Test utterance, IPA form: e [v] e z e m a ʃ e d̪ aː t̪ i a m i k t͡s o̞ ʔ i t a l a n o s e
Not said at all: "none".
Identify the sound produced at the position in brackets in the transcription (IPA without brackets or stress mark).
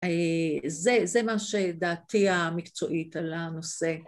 z